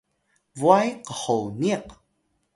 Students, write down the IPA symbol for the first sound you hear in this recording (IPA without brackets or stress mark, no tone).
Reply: v